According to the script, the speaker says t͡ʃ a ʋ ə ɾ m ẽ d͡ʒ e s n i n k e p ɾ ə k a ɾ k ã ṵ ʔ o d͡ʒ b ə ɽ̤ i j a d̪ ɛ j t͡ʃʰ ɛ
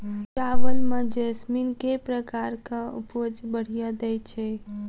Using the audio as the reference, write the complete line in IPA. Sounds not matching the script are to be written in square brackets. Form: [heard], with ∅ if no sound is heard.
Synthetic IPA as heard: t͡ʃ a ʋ ə [l] m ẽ d͡ʒ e s [m] i n k e p ɾ ə k a ɾ k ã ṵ [p] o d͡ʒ b ə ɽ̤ i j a d̪ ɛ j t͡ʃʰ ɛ